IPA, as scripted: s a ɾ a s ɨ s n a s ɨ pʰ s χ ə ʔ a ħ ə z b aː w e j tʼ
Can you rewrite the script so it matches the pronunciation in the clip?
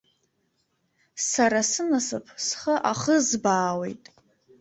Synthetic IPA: s a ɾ a s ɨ n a s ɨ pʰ s χ ə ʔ a χ ə z b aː w e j tʼ